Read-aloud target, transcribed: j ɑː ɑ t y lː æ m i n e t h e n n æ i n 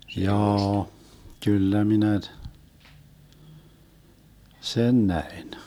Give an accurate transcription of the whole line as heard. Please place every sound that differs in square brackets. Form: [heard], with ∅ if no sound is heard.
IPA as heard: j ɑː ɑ [k] y lː æ m i n [æ] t [s] e n n æ i n